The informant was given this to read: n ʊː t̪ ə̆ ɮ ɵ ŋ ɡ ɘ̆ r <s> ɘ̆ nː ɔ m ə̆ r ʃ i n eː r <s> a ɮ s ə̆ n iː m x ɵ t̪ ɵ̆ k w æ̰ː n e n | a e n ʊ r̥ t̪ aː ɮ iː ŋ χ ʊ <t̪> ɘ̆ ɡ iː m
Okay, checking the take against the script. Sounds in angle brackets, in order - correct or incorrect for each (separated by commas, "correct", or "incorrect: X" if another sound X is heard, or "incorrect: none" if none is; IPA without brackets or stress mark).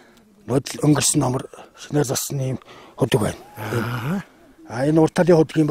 correct, incorrect: t͡s, correct